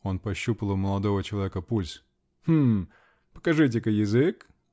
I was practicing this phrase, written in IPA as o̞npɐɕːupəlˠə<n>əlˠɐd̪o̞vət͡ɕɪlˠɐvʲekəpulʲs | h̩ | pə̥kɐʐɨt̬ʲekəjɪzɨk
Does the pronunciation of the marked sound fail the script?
yes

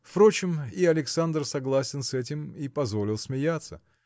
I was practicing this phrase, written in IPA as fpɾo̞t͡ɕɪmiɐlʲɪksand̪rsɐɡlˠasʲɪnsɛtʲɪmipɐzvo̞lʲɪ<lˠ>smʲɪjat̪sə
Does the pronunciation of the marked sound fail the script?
no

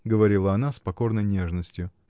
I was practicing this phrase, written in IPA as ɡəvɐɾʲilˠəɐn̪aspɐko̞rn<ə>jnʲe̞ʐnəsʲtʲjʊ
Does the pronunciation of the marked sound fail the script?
no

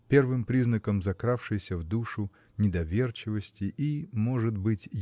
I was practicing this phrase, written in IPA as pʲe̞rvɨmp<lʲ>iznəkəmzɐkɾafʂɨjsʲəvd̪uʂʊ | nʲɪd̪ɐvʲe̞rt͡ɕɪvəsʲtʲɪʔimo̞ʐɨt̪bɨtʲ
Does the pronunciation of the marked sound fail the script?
yes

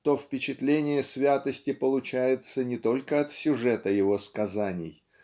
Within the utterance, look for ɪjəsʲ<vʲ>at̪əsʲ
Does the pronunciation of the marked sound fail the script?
no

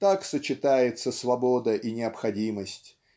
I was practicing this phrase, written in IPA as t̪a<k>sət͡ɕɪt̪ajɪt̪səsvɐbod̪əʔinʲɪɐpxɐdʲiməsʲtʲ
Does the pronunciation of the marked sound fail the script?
no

